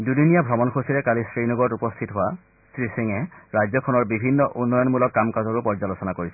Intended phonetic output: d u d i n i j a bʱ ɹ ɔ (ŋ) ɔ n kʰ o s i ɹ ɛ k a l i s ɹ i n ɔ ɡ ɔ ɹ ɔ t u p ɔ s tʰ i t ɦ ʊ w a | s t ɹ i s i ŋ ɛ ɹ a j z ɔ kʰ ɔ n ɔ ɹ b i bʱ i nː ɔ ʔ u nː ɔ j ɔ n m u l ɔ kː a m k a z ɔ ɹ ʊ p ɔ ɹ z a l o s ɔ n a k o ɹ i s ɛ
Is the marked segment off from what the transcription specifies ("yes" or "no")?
yes